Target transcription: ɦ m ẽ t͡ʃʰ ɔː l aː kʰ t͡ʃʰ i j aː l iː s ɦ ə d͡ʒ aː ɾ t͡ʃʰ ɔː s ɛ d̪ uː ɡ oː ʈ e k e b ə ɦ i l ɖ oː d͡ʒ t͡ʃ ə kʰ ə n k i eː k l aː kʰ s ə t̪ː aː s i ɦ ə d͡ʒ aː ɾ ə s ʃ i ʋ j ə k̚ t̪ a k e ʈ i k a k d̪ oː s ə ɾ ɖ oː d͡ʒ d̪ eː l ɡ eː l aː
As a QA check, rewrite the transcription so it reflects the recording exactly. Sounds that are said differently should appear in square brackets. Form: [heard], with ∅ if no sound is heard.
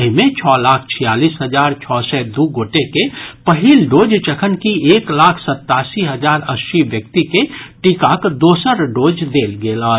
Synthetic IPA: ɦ m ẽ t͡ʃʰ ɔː l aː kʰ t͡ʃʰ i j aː l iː s ɦ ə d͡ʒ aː ɾ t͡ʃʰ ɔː s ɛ d̪ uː ɡ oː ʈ e k e [p] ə ɦ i l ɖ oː d͡ʒ t͡ʃ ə kʰ ə n k i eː k l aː kʰ s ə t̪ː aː s i ɦ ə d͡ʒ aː ɾ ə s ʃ i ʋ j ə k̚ t̪ [i] k e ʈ i k a k d̪ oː s ə ɾ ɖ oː d͡ʒ d̪ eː l ɡ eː l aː